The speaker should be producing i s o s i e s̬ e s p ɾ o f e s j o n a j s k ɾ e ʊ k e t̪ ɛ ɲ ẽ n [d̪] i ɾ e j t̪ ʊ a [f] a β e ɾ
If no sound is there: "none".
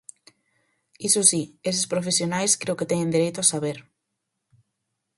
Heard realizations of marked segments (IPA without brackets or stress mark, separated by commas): d̪, s